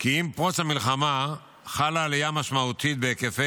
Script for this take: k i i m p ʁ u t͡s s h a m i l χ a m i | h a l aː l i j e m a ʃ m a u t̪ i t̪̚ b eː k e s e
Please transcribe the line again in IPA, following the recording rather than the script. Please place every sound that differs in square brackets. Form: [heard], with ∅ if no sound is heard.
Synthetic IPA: k i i m p ʁ [o] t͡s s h a m i l χ a m [a] | [χ] a l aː l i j [a] m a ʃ m a u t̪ i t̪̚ b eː k e [f] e